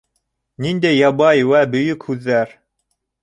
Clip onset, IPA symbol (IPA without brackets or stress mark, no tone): n